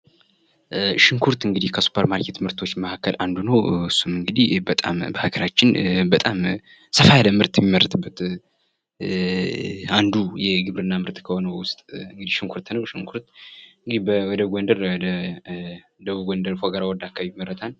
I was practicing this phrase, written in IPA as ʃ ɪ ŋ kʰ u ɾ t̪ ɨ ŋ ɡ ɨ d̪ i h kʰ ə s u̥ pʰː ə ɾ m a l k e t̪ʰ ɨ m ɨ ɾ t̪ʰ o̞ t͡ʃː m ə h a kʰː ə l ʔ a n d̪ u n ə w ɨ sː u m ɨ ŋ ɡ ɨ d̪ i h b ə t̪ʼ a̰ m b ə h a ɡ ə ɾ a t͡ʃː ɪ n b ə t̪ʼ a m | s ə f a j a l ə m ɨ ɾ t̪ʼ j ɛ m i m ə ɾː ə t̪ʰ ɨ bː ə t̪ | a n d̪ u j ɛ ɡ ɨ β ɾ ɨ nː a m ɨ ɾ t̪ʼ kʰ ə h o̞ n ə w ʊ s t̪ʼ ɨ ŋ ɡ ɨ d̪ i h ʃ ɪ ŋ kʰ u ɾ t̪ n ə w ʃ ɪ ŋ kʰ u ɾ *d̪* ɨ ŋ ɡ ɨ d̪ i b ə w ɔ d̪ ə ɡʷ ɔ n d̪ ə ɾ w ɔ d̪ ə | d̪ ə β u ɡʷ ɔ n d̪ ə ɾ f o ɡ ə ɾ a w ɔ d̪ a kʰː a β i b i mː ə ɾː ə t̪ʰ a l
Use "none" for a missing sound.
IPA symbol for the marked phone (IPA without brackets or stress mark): t̪